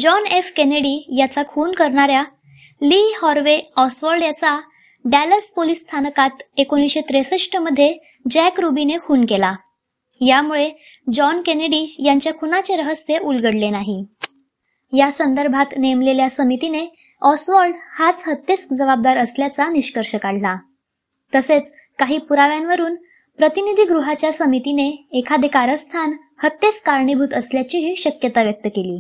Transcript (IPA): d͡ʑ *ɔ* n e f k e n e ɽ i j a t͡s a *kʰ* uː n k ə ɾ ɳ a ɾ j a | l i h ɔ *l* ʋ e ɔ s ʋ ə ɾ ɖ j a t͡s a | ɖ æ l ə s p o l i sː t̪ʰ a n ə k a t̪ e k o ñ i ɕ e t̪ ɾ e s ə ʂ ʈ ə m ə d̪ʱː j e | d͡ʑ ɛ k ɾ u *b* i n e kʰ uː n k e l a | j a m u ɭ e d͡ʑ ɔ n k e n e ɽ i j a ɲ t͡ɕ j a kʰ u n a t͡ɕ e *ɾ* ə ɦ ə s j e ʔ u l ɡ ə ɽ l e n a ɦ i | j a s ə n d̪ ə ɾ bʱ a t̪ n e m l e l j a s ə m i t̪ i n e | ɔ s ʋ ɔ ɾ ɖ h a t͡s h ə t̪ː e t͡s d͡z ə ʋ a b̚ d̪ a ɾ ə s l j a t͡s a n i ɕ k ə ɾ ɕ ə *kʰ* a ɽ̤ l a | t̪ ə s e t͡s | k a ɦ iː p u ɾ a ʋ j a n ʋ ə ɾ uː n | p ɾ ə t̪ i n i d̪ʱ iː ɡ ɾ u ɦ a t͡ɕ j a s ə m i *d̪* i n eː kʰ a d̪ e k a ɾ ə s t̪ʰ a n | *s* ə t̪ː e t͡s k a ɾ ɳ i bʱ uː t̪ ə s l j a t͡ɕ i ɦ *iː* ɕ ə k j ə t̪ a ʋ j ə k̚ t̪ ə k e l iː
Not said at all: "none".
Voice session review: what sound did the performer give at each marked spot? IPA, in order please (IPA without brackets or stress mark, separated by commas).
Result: ɔ, kʰ, ɾ, b, ɾ, k, t̪, h, iː